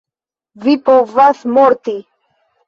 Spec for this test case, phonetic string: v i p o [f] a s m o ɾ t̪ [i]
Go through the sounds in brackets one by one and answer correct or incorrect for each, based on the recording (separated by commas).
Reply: incorrect, correct